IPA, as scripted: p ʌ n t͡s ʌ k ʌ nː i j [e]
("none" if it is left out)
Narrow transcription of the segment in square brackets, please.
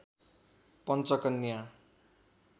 a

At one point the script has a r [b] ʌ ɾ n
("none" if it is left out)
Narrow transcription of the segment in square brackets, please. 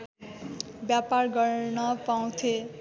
ɡ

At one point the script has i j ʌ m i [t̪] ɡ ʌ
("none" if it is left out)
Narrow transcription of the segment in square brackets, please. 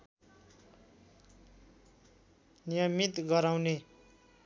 t̪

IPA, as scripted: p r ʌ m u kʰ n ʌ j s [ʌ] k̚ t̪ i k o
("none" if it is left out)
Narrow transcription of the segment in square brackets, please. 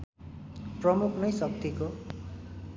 ʌ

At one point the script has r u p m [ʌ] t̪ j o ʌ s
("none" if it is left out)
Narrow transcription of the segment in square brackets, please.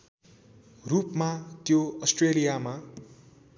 a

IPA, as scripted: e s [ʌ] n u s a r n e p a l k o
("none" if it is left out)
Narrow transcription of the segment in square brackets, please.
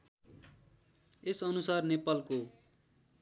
ʌ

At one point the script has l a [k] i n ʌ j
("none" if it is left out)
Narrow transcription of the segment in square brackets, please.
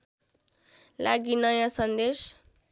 ɡ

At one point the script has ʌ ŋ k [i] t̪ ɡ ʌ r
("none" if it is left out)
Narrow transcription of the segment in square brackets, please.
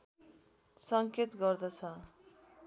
e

